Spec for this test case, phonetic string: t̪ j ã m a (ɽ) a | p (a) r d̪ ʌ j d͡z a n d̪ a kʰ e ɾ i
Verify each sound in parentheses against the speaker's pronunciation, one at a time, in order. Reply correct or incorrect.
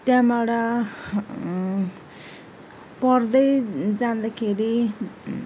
correct, incorrect: ʌ

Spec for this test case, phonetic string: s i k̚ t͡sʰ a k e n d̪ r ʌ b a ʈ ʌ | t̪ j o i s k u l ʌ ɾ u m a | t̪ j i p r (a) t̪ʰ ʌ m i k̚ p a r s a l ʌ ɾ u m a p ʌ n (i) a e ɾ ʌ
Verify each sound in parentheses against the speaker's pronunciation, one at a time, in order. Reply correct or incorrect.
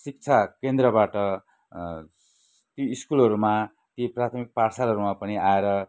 correct, correct

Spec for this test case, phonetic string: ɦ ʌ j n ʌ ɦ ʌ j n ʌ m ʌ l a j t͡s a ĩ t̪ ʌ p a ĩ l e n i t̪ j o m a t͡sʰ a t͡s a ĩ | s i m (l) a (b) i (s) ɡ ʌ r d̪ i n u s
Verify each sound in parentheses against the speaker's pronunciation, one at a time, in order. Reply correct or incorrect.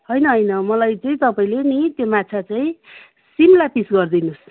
correct, incorrect: p, correct

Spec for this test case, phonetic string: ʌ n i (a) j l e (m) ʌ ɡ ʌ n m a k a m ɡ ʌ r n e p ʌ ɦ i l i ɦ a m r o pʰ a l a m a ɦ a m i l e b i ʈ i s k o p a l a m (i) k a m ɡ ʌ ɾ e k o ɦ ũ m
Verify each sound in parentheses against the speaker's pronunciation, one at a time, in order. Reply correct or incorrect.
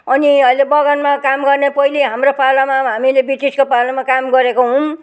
incorrect: ʌ, incorrect: b, incorrect: a

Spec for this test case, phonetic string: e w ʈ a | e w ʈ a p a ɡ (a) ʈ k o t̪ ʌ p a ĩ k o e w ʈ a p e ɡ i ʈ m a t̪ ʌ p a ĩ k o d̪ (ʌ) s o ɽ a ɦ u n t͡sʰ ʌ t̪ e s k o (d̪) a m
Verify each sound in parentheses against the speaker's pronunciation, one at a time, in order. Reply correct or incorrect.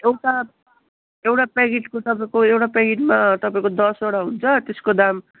incorrect: i, correct, correct

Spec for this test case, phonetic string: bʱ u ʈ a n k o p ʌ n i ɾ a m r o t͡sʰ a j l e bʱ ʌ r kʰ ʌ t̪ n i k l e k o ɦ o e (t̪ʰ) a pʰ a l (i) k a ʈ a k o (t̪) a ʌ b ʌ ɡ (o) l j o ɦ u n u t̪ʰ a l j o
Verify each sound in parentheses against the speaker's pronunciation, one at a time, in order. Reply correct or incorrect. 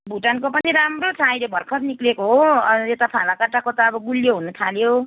incorrect: t̪, incorrect: a, correct, incorrect: u

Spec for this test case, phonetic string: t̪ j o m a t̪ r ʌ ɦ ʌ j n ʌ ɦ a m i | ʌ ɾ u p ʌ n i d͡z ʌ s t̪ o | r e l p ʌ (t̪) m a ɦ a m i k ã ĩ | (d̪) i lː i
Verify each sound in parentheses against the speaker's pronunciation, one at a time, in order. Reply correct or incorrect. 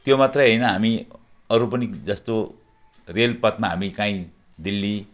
correct, correct

